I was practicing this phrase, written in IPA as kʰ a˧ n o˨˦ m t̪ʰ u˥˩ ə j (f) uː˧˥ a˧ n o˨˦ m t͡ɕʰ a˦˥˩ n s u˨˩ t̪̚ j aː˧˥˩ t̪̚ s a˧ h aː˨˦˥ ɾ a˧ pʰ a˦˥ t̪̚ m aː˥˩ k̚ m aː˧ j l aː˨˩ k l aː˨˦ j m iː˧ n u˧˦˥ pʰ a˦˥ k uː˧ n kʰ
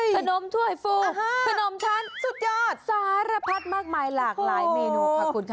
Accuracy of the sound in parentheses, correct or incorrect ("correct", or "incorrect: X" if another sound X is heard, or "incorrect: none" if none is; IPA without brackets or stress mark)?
correct